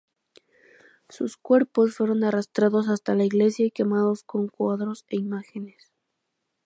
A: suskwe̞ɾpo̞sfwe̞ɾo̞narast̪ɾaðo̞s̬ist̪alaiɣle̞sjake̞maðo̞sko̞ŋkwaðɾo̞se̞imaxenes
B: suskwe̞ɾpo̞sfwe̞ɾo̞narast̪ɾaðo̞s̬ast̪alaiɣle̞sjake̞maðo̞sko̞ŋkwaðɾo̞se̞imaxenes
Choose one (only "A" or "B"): B